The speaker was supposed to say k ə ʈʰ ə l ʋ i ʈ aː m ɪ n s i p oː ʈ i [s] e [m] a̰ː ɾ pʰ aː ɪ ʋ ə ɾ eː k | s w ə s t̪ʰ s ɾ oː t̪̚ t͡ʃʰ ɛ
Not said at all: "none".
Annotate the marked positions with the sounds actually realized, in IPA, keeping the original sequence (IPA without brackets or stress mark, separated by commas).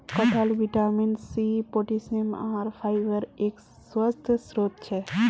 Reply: s, m